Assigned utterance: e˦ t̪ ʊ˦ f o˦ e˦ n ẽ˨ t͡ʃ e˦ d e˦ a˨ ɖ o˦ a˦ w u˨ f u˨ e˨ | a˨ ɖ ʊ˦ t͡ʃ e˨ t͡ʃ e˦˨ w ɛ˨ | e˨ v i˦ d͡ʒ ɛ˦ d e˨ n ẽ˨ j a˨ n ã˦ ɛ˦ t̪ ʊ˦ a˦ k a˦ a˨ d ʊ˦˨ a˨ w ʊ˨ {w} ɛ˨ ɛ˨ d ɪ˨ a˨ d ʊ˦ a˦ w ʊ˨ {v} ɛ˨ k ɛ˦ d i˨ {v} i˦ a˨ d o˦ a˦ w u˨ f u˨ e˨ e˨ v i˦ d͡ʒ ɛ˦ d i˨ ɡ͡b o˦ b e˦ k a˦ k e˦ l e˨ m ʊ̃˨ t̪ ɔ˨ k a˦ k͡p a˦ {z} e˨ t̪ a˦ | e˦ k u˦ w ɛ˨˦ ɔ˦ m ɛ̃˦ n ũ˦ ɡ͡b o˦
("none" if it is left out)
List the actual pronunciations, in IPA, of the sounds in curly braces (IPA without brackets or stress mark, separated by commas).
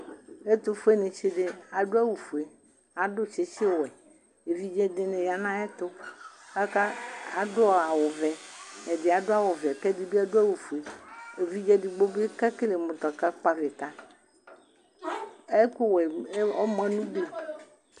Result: v, v, b, v